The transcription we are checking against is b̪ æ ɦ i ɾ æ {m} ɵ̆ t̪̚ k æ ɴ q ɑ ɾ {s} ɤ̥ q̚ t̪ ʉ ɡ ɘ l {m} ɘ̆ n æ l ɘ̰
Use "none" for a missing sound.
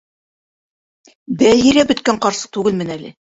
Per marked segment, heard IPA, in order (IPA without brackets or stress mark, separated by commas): b, s, m